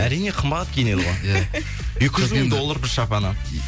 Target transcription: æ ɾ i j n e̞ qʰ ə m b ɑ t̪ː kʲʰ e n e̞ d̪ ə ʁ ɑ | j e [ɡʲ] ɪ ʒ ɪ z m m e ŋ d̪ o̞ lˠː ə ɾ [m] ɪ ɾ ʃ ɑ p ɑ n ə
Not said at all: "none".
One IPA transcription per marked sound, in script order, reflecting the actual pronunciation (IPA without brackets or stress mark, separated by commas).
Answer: kʲ, b